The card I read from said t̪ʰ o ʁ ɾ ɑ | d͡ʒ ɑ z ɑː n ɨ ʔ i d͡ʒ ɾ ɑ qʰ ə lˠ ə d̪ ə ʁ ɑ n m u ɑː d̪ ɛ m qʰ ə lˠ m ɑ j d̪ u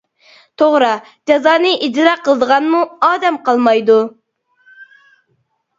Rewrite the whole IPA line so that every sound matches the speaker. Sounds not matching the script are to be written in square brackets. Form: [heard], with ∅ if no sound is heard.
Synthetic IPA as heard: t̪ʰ o ʁ ɾ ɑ | d͡ʒ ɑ z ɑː n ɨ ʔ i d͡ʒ ɾ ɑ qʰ ə lˠ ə d̪ ə ʁ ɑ n m u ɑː d̪ ɛ m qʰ [ɑ] lˠ m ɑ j d̪ u